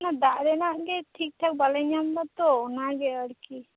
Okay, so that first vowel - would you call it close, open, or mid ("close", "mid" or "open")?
open